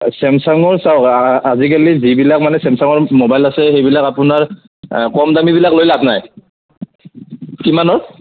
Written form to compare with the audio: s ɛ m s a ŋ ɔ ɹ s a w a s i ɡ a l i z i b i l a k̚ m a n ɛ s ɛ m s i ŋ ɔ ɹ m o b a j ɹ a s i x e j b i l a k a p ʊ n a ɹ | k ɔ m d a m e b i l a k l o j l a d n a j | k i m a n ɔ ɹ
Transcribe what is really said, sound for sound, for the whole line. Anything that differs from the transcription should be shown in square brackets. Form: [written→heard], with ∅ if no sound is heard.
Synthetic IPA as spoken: s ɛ m s a ŋ ɔ ɹ s a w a [s→z] i [ɡ→k] a l i z i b i l a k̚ m a n ɛ s ɛ m s [i→a] ŋ ɔ ɹ m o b a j [ɹ→l] a s [i→ɛ] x e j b i l a k a p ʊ n a ɹ | k ɔ m d a m [e→i] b i l a k l o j l a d n a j | k i m a n ɔ ɹ